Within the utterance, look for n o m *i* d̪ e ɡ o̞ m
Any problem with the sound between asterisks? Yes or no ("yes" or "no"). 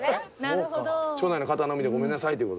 no